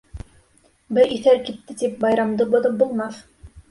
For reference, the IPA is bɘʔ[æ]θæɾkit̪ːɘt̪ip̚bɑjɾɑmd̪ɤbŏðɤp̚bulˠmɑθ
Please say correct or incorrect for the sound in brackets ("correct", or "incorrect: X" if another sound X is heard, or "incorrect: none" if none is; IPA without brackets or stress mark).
incorrect: i